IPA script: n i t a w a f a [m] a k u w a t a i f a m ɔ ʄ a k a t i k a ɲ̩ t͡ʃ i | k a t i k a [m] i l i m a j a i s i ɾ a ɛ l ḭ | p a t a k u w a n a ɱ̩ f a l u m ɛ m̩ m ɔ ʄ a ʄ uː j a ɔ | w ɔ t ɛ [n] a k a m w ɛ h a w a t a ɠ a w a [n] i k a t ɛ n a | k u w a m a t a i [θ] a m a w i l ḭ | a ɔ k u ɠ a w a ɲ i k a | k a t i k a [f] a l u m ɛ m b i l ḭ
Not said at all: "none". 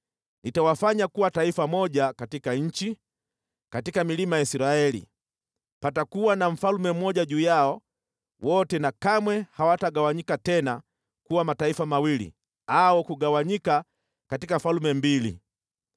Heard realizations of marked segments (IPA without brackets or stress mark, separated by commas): ɲ, m, n, ɲ, f, f